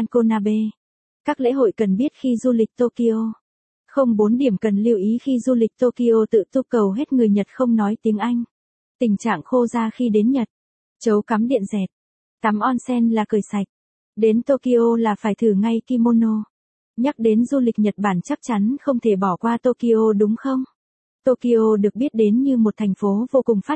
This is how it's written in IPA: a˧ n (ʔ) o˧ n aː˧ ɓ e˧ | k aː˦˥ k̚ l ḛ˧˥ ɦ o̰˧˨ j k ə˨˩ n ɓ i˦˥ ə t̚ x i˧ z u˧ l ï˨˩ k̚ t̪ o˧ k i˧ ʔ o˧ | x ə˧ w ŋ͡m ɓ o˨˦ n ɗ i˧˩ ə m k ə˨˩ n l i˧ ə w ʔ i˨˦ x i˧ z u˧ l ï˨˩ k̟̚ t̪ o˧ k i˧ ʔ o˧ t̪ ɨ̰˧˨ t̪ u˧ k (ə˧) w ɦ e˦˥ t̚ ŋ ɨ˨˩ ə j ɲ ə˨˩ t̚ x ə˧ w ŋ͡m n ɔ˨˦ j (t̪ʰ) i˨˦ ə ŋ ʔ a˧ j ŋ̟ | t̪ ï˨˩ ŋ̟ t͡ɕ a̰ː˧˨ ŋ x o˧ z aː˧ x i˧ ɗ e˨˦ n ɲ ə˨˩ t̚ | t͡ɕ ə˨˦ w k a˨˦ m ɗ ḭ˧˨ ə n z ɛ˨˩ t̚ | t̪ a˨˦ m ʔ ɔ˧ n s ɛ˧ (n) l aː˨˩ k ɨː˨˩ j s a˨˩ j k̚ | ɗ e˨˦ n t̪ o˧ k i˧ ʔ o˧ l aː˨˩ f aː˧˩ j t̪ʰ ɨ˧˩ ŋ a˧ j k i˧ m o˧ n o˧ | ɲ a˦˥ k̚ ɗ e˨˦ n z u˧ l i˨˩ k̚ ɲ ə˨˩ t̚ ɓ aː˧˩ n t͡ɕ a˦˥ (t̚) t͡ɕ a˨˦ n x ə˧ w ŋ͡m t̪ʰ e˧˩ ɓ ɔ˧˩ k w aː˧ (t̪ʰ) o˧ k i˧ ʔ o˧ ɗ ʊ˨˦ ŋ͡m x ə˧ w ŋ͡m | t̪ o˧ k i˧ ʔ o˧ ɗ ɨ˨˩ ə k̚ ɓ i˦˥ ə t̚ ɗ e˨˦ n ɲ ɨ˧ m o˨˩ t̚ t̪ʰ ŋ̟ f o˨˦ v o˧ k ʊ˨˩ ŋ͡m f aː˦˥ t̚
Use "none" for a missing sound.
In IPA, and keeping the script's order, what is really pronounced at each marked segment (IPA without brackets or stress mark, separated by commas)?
k, ə˨˩, t̪, n, k̚, t̪